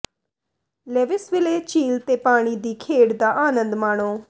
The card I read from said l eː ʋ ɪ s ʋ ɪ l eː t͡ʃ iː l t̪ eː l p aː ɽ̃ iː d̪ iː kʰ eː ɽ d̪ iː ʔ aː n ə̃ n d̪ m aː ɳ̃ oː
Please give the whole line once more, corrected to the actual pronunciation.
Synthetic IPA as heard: l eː ʋ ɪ s ʋ ɪ l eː t͡ʃ iː l t̪ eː p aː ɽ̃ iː d̪ iː kʰ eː ɽ d̪ aː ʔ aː n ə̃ n d̪ m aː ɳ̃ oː